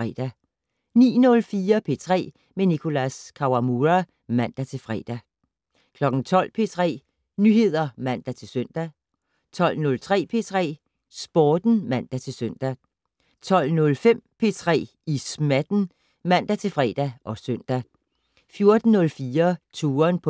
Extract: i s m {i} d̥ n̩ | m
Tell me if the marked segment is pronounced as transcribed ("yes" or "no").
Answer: no